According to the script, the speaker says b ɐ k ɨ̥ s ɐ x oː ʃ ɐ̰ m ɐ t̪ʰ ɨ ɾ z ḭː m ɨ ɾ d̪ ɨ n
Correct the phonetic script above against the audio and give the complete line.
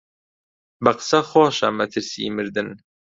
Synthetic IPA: b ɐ q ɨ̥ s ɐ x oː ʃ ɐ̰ m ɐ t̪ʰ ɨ ɾ s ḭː m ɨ ɾ d̪ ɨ n